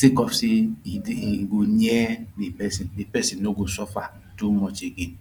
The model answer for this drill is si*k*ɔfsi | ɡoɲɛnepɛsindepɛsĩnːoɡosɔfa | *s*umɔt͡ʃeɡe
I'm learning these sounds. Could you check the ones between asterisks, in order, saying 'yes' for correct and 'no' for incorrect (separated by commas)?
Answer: yes, no